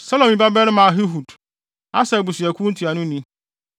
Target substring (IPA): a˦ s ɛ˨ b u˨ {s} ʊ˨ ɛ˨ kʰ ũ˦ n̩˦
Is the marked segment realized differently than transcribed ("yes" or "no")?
no